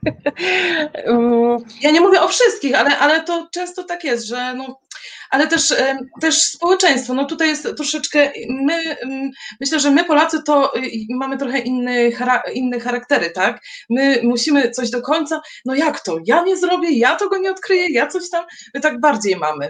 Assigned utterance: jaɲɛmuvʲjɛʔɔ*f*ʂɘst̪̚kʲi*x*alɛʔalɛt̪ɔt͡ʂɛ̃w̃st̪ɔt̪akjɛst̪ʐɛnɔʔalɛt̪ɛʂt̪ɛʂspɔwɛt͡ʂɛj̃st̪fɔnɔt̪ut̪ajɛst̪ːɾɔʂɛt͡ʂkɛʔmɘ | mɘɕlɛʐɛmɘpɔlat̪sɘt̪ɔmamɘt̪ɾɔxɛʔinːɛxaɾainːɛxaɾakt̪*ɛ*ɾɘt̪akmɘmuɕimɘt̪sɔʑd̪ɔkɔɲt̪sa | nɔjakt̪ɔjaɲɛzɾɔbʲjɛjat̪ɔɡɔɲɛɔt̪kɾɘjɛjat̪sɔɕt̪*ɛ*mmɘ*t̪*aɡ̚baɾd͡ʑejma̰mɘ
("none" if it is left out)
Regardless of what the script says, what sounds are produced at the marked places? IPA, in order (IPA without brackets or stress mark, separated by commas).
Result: f, x, ɛ, a, t̪